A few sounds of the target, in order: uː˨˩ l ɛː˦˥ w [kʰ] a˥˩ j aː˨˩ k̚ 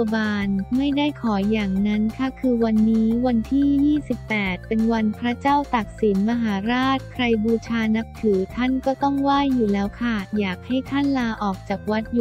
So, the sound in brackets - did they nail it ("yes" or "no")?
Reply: yes